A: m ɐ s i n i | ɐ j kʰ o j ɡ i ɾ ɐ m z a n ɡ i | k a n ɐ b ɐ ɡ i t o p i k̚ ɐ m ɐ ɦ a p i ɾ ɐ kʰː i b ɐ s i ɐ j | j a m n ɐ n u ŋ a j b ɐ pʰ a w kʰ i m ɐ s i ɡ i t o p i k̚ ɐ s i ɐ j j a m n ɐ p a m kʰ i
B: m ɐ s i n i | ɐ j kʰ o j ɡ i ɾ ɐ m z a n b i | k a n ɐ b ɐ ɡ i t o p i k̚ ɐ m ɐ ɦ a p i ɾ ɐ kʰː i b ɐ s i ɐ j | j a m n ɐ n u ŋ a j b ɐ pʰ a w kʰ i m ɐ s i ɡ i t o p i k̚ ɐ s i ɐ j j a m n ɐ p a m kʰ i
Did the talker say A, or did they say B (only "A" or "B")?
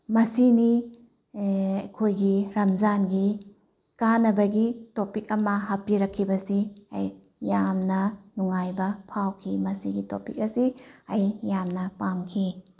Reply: A